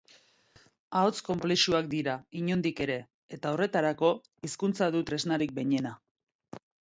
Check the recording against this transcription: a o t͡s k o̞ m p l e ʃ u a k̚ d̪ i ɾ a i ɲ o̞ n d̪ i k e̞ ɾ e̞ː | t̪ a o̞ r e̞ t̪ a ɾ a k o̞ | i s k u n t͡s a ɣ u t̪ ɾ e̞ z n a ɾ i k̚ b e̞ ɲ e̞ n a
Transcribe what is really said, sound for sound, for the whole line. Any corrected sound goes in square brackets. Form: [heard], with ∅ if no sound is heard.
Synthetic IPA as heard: a o t͡s k o̞ m p l e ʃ u a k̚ d̪ i ɾ a i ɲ o̞ n d̪ i k e̞ ɾ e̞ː | t̪ a o̞ r e̞ t̪ a ɾ a k o̞ | i s k u n t͡s a [ð] u t̪ ɾ e̞ z n a ɾ i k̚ b e̞ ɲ e̞ n a